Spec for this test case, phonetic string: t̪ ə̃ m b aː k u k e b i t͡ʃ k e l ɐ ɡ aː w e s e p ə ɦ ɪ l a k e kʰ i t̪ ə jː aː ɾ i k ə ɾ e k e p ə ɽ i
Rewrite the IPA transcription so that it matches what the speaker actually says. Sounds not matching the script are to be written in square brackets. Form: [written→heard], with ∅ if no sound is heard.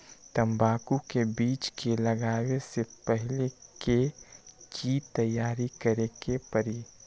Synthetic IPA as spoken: t̪ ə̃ m b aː k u k e b [i→iː] t͡ʃ k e l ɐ ɡ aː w e s e p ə ɦ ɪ l [a→e] k e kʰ i t̪ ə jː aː ɾ i k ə ɾ e k e p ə [ɽ→ɾ] i